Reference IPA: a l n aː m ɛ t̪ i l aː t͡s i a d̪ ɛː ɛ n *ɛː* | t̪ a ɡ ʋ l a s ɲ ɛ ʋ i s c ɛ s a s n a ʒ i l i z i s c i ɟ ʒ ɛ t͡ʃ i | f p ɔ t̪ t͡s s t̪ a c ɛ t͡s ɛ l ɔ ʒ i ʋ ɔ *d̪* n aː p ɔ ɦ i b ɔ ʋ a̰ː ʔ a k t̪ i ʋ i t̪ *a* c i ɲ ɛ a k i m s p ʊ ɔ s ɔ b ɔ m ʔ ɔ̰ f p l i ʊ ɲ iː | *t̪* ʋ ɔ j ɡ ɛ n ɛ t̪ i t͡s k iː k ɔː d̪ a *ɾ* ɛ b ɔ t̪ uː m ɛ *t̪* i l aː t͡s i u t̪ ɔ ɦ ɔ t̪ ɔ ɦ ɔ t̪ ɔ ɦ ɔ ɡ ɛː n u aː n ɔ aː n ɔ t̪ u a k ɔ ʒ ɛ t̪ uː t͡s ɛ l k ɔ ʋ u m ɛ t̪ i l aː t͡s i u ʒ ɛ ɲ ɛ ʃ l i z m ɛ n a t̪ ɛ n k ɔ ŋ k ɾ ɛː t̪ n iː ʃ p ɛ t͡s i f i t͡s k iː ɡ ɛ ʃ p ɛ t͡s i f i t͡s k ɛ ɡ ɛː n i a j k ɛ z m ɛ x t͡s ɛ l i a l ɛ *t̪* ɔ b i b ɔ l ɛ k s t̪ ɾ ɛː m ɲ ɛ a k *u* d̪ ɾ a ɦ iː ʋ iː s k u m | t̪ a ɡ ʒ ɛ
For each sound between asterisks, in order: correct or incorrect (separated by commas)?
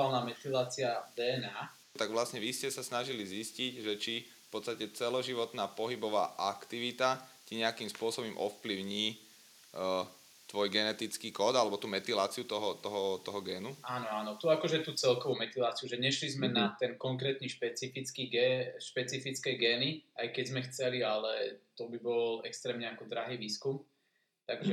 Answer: incorrect, incorrect, correct, correct, incorrect, correct, correct, incorrect